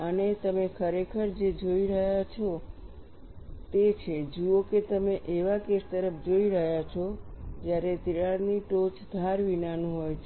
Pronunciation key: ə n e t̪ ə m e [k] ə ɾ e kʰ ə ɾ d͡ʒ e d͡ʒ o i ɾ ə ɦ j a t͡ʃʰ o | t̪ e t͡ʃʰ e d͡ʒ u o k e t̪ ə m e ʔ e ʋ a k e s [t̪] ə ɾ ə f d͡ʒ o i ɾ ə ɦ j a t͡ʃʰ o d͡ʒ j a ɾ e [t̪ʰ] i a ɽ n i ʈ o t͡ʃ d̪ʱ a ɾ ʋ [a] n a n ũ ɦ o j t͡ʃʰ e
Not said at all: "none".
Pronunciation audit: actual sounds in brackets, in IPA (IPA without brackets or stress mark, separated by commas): kʰ, t̪, t̪, i